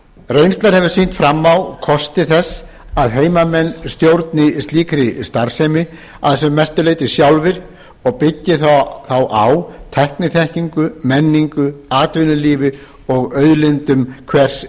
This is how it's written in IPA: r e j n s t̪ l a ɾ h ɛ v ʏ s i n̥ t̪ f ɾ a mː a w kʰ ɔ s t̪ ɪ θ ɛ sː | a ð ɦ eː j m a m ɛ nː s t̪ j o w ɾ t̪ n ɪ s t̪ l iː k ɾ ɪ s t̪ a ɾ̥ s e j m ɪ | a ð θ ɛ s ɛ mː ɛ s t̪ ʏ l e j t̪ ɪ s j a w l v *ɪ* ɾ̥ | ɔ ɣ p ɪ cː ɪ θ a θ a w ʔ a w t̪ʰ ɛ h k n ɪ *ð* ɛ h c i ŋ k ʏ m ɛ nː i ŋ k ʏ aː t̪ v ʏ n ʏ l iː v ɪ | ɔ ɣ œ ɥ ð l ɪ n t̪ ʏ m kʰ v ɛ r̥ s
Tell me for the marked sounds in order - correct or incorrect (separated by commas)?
correct, incorrect